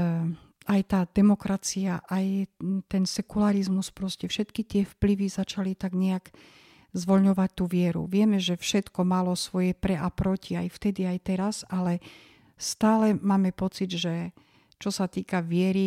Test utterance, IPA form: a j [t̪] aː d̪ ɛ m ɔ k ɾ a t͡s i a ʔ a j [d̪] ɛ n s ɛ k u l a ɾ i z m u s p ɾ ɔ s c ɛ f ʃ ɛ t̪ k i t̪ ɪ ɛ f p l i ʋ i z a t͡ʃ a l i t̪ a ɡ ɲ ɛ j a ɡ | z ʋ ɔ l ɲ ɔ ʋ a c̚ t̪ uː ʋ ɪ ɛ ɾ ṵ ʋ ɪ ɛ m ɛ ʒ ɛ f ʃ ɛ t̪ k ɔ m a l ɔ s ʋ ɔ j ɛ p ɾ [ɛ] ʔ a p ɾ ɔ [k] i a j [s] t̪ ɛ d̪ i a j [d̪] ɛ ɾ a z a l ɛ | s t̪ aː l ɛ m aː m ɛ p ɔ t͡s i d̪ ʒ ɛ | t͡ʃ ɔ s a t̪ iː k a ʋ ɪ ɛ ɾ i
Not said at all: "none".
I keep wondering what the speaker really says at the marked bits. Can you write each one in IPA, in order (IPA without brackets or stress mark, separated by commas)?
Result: t̪, t̪, ɛ, c, f, t̪